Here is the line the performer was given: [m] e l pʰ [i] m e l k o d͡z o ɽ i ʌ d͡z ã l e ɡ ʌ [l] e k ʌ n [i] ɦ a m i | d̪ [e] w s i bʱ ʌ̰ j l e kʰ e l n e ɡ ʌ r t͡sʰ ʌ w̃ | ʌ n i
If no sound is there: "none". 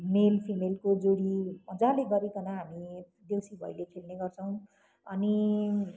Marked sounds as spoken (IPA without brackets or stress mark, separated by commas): m, i, ɾ, a, e